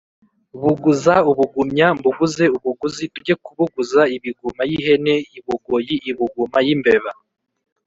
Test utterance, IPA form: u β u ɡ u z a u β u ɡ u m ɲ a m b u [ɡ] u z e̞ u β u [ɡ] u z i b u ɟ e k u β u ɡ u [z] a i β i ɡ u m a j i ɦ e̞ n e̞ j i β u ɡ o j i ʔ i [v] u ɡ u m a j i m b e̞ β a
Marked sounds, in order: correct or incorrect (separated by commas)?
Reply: correct, correct, correct, incorrect